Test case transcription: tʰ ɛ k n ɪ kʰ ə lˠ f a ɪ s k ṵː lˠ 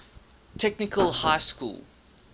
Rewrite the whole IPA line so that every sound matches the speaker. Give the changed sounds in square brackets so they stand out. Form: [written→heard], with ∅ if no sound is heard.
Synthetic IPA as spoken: tʰ ɛ k n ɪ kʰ ə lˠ [f→h] a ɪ s k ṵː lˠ